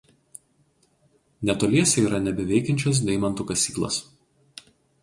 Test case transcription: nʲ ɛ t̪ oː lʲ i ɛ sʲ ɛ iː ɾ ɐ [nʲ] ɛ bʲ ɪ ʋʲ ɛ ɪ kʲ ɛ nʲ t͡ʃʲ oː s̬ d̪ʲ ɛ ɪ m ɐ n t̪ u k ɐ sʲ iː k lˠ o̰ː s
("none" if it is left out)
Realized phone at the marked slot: nʲ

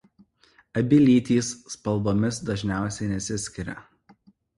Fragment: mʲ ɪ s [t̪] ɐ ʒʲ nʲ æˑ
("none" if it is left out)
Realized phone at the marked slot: d̪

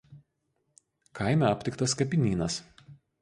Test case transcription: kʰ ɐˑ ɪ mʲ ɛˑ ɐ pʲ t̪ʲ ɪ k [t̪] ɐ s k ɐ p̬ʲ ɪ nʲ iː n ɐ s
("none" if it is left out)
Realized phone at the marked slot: t̪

